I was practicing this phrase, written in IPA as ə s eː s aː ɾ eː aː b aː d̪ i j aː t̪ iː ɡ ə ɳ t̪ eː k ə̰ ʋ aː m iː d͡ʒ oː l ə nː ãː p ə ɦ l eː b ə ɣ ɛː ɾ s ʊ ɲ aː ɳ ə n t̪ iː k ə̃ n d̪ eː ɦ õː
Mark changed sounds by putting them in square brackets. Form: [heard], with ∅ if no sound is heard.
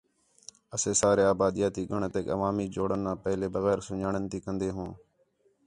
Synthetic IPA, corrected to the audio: ə s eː s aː ɾ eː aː b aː d̪ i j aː t̪ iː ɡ ə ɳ t̪ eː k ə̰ ʋ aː m iː d͡ʒ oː [ɽ] ə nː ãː p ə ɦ l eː b ə ɣ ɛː ɾ s ʊ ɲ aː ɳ ə n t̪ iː k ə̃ n d̪ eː ɦ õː